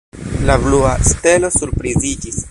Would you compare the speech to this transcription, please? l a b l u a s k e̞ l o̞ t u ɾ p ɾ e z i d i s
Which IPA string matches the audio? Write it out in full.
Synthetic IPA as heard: l a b l u a s t e̞ l o̞ s u ɾ p ɾ i z i d͡ʒ i s